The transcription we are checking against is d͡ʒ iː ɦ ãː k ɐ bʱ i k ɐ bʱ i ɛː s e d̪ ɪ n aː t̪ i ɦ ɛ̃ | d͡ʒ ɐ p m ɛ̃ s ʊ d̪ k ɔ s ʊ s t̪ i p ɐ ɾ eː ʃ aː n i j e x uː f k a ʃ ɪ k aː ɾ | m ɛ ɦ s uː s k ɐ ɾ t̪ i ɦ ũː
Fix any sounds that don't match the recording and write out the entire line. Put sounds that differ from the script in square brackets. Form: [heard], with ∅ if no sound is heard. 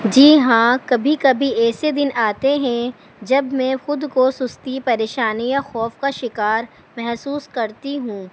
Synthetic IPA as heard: d͡ʒ iː ɦ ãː k ɐ bʱ i k ɐ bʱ i ɛː s e d̪ ɪ n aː t̪ [e] ɦ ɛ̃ | d͡ʒ ɐ [b] m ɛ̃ [x] ʊ d̪ k [o] s ʊ s t̪ i p ɐ ɾ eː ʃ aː n i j [a] x [ɔː] f k a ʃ ɪ k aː ɾ | m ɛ ɦ s uː s k ɐ ɾ t̪ i ɦ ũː